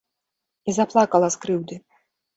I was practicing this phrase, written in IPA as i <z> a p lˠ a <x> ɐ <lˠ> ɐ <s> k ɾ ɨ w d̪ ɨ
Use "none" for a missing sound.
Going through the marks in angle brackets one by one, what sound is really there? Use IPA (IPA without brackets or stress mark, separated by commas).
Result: z, k, lˠ, s